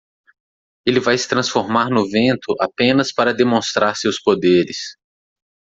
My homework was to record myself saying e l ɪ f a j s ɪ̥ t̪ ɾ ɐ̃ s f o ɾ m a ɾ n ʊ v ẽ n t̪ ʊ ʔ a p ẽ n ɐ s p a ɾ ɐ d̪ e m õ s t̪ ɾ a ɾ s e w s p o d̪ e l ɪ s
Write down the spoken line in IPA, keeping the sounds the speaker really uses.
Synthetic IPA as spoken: e l ɪ v a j s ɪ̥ t̪ ɾ ɐ̃ s f o ɾ m a ɾ n ʊ v ẽ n t̪ ʊ ʔ a p ẽ n ɐ s p a ɾ ɐ d̪ e m õ s t̪ ɾ a ɾ s e w s p o d̪ e ɾ ɪ s